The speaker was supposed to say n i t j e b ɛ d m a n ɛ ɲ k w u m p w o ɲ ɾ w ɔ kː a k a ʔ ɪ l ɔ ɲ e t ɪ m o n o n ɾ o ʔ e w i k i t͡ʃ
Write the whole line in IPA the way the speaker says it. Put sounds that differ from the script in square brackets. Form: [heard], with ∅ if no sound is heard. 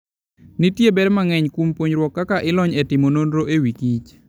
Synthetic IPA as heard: n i t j e b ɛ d m a [ŋ] ɛ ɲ k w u m p w o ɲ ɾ w ɔ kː a k a ʔ ɪ l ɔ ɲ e t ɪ m o n o n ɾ o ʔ e w i k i t͡ʃ